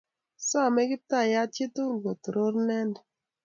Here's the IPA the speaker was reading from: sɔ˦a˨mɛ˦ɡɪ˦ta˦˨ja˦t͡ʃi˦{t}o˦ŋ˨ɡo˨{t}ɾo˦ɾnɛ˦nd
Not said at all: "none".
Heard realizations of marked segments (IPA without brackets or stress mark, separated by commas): t, t